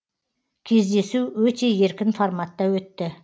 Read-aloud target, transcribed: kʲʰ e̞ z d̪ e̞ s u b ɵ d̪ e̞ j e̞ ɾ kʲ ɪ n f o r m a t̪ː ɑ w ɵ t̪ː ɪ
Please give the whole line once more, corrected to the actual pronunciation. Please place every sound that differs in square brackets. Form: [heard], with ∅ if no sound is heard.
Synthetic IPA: kʲʰ e̞ z d̪ e̞ s u [w] ɵ [t̪] e̞ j e̞ ɾ kʲ ɪ n f o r m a t̪ː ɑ w ɵ t̪ː ɪ

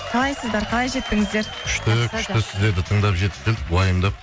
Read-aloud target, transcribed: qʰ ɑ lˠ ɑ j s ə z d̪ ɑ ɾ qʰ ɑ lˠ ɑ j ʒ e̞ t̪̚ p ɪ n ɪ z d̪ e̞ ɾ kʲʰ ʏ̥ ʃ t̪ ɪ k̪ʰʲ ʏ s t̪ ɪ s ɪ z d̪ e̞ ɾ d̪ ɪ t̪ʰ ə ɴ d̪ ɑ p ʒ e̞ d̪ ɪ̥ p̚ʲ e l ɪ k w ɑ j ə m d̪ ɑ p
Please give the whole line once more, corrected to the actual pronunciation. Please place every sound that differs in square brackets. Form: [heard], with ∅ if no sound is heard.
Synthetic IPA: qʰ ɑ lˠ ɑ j s ə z d̪ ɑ ɾ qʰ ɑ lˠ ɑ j ʒ e̞ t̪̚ p ɪ [ŋ] ɪ z d̪ e̞ ɾ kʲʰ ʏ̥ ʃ t̪ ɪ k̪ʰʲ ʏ [ʃ] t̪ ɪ s ɪ z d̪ e̞ ɾ d̪ ɪ t̪ʰ ə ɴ d̪ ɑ p ʒ e̞ [t̪] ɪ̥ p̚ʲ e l ɪ k w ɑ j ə m d̪ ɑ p

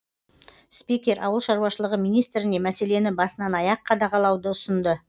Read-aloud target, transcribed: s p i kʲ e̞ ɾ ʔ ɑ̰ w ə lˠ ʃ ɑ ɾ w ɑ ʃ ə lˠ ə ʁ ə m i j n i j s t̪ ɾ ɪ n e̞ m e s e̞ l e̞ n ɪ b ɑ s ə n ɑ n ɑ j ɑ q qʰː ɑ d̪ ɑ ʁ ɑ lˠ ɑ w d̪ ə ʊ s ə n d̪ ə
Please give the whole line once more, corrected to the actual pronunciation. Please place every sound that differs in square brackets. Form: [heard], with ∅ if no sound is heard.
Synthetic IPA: s p i kʲ e̞ ɾ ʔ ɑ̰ w ə lˠ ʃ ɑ ɾ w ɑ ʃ ə lˠ ə ʁ ə m i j n i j s t̪ ɾ ɪ n e̞ m [æ] s e̞ l e̞ n ɪ b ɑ s ə n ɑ n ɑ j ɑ q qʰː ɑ d̪ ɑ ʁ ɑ lˠ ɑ w d̪ ə ʊ s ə n d̪ ə

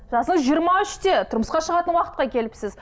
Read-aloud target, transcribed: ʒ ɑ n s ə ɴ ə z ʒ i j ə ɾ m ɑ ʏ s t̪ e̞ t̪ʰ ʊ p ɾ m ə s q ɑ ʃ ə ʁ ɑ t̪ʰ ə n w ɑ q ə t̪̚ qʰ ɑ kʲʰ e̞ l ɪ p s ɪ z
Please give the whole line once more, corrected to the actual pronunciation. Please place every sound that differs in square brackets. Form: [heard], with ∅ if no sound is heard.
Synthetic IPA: ʒ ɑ [∅] s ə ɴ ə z ʒ i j ə ɾ m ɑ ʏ [ʃ] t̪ e̞ t̪ʰ ʊ [∅] ɾ m ə s q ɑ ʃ ə ʁ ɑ [t̪] ə n w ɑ q ə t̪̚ [q] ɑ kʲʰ e̞ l ɪ p s ɪ z

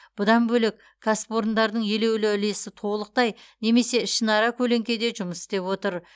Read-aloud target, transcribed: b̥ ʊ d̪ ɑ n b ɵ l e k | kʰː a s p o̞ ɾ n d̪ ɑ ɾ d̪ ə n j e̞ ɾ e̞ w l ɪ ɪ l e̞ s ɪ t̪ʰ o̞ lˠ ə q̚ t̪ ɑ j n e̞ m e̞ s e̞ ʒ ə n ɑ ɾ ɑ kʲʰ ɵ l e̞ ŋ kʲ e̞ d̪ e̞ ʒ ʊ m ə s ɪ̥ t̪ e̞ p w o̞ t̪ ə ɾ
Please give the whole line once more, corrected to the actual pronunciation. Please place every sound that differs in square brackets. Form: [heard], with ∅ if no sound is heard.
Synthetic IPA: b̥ ʊ d̪ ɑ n b ɵ l e k | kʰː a s p o̞ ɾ n d̪ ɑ ɾ d̪ ə [ɴ] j e̞ [l] e̞ w l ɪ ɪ l e̞ s ɪ t̪ʰ o̞ lˠ ə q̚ t̪ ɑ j n e̞ m e̞ s e̞ [ʃ] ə n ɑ ɾ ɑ kʲʰ ɵ l e̞ ŋ kʲ e̞ d̪ e̞ ʒ ʊ m ə s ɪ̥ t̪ e̞ p w o̞ t̪ ə ɾ

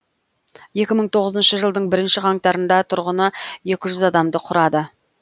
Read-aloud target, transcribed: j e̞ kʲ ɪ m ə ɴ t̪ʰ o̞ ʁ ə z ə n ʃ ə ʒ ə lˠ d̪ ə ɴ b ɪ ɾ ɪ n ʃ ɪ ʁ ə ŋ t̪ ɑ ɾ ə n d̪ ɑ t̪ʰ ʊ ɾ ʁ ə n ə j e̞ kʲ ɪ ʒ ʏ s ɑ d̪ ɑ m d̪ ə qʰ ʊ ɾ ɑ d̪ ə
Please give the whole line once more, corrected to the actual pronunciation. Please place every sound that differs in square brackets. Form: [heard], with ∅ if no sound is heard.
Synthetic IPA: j e̞ kʲ ɪ m ə ɴ t̪ʰ o̞ ʁ ə z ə n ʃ ə ʒ ə lˠ d̪ ə ɴ b ɪ ɾ ɪ n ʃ ɪ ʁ [ɑ] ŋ t̪ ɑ ɾ ə n d̪ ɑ t̪ʰ ʊ ɾ ʁ ə n ə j e̞ kʲ ɪ ʒ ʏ [z] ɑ d̪ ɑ m d̪ ə qʰ ʊ ɾ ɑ d̪ ə

